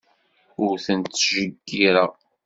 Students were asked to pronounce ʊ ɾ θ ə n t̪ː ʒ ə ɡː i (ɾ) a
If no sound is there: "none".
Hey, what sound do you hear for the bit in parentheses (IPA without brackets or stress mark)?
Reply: ɾ